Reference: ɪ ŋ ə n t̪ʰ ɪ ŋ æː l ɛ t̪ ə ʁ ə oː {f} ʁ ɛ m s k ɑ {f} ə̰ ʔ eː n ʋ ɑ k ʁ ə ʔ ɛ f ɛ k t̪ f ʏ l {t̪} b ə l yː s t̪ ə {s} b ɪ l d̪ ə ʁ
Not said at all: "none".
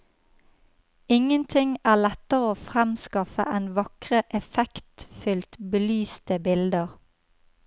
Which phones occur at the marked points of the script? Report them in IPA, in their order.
f, f, t̪, none

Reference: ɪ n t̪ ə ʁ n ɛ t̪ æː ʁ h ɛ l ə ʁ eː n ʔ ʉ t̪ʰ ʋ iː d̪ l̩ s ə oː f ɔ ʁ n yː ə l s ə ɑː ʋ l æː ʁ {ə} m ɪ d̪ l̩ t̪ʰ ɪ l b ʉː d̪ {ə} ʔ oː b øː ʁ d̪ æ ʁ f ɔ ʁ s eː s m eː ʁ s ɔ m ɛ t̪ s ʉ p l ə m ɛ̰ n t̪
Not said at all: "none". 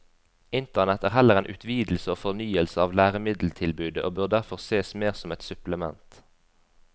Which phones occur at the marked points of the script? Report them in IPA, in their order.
ə, ə

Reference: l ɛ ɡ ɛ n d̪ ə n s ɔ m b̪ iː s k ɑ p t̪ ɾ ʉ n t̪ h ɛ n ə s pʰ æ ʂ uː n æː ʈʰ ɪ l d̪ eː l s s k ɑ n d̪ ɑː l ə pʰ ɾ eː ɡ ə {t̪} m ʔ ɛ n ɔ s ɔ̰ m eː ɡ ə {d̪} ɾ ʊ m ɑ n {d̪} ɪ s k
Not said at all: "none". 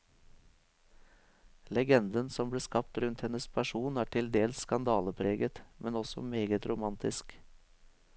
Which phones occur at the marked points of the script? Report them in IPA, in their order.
t̪, t̪, t̪

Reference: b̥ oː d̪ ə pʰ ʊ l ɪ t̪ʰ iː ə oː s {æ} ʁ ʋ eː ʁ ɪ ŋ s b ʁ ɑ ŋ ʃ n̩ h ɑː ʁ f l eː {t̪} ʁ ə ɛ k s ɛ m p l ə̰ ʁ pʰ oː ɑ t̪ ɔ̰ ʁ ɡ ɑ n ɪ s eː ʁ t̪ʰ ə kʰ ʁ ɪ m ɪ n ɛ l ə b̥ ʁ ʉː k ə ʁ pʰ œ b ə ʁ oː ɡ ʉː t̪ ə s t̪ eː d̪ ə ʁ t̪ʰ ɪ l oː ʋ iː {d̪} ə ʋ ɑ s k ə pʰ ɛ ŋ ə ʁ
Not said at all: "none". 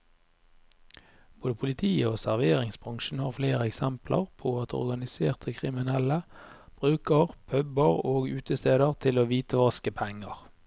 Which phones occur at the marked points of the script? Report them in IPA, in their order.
æ, none, t̪

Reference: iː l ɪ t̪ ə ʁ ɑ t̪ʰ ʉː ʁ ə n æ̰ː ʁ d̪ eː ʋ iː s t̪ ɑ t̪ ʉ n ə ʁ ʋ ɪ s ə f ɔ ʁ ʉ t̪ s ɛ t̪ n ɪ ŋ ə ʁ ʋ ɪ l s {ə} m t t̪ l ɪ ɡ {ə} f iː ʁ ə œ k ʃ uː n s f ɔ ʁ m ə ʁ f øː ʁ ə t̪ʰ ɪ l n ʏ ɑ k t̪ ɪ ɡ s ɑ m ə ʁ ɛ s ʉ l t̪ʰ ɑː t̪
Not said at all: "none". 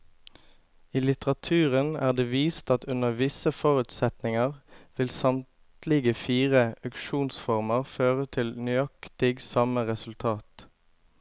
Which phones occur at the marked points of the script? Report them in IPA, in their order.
ɑ, ə

